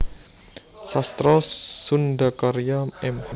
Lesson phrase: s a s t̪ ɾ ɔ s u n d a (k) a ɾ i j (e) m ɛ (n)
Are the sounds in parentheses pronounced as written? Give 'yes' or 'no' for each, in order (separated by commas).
yes, no, no